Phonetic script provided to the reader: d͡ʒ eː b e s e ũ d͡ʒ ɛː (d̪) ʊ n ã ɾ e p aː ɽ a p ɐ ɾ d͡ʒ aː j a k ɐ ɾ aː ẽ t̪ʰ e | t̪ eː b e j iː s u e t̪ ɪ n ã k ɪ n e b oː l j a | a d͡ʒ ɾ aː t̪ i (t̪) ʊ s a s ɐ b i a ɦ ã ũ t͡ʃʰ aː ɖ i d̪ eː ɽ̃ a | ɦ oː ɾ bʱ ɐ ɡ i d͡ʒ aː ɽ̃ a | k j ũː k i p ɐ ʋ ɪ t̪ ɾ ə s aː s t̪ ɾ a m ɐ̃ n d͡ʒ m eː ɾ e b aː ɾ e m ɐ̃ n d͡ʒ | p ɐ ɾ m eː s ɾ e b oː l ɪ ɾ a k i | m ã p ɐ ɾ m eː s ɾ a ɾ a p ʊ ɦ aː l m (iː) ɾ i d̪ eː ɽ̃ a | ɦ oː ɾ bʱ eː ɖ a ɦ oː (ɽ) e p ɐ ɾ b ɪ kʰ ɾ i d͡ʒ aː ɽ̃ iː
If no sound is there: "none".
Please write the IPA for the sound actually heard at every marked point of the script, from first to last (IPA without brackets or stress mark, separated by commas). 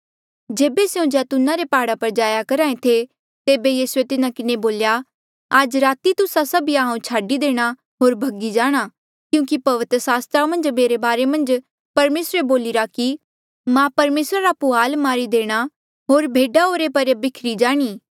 t̪, t̪, aː, ɾ